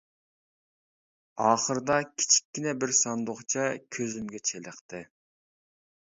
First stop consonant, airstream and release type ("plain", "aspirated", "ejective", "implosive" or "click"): plain